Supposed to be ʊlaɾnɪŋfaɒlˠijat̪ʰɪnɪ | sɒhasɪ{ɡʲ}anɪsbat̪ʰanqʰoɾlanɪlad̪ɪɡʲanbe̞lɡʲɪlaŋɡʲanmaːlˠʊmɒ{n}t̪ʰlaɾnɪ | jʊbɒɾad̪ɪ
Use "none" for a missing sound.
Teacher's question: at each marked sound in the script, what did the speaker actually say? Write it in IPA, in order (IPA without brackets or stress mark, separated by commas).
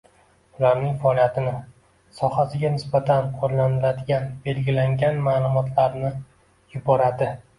ɡʲ, none